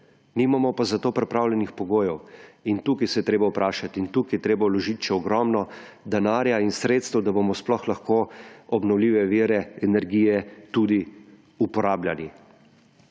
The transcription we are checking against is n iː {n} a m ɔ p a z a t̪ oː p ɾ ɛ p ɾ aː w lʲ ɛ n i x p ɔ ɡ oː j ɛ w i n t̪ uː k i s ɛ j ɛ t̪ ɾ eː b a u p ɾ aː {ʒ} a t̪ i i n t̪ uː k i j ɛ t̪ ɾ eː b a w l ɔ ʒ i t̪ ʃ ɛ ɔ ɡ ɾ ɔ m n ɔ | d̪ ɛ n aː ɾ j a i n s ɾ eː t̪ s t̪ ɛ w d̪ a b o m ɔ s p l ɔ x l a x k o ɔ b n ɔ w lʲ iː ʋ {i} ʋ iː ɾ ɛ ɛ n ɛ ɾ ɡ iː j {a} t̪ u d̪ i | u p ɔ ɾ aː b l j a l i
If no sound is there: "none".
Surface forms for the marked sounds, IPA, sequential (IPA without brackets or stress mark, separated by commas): m, ʃ, ɛ, ɛ